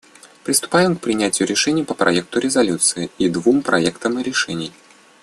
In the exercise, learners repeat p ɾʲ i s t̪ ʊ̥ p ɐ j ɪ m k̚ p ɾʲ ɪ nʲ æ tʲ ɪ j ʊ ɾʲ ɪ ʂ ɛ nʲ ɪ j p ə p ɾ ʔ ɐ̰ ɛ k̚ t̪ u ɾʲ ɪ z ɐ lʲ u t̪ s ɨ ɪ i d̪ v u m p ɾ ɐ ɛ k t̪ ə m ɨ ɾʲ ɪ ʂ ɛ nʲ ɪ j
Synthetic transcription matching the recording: p ɾʲ ɪ s t̪ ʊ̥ p a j ɪ m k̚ p ɾʲ ɪ nʲ æ tʲ ɪ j ʊ ɾʲ ɪ ʂ ɛ nʲ ɪ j p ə p ɾ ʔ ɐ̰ ɛ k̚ t̪ ʊ ɾʲ ɪ z ɐ lʲ u t̪ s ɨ ɪ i d̪ v u m p ɾ ɐ ɛ k t̪ ə m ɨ ɾʲ ɪ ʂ ɛ nʲ ɪ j